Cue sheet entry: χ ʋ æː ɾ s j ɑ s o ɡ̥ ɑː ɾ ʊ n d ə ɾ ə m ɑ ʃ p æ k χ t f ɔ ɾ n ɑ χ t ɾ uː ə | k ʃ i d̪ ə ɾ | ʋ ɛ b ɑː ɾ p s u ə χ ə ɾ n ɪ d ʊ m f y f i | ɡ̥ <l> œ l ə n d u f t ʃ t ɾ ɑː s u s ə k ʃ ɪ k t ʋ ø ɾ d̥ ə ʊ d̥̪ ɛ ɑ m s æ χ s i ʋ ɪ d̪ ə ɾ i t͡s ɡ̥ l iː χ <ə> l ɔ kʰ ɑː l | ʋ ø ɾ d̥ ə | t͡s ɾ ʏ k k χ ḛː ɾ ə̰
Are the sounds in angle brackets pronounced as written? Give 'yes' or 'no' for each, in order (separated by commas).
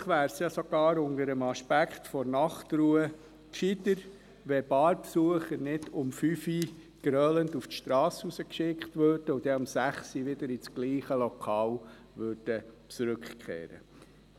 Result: no, yes